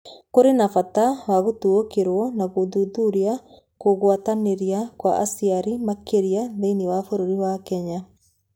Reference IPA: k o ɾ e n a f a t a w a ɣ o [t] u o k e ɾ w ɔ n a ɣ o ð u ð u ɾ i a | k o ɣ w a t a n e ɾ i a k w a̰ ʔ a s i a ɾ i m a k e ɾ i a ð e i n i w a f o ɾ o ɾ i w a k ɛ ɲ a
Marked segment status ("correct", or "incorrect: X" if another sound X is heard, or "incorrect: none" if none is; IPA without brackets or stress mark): correct